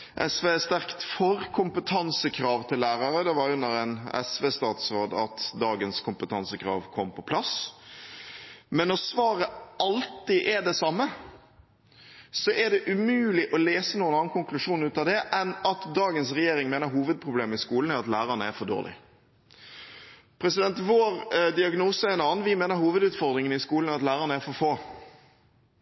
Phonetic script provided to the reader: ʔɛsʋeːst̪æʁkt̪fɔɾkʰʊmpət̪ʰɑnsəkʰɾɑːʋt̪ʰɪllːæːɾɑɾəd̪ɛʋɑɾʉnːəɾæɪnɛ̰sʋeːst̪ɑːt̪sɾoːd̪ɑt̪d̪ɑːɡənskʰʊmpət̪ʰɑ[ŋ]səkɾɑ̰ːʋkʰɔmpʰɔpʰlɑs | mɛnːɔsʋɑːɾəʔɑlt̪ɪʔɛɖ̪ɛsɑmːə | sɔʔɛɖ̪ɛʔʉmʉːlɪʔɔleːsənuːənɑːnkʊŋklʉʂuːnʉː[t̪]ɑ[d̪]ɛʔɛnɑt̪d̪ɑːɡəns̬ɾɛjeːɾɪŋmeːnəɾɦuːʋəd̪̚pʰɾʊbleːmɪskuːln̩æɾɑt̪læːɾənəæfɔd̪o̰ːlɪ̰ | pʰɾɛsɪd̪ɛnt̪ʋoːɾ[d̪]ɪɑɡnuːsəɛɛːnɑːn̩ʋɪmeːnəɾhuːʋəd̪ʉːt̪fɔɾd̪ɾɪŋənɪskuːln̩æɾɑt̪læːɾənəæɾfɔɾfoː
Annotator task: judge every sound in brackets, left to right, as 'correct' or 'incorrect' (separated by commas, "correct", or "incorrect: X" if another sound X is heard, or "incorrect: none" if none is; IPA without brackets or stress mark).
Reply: incorrect: n, correct, correct, correct